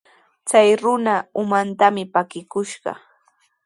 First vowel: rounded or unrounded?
unrounded